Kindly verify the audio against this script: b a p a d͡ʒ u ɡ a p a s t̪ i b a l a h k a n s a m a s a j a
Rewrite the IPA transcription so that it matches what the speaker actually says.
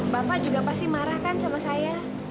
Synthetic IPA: b a p a d͡ʒ u ɡ a p a s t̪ i m a ɾ a h k a n s a m a s a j a